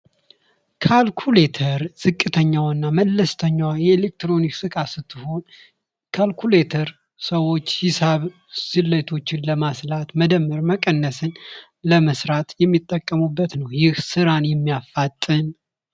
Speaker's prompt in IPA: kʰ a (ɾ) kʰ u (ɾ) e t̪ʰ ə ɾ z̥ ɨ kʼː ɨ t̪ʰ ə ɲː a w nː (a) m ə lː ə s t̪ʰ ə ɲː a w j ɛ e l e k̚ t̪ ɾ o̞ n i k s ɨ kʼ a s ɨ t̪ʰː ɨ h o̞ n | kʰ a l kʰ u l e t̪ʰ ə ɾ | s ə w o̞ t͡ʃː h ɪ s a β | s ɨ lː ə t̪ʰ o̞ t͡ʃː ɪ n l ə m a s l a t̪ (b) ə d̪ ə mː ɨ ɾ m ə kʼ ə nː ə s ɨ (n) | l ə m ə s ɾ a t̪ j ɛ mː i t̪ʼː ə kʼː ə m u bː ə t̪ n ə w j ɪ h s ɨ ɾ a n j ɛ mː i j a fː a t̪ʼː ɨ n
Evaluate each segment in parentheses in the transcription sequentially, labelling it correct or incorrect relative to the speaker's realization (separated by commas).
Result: incorrect, incorrect, correct, incorrect, correct